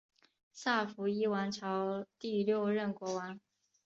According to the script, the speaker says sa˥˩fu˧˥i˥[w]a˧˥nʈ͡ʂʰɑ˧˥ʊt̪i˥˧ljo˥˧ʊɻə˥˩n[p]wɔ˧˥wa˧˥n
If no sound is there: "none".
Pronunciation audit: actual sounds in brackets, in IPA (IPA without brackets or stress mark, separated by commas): w, k